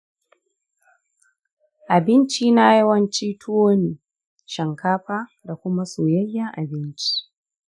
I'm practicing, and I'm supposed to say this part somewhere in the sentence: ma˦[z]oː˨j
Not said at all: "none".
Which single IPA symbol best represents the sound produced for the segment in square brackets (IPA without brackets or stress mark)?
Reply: s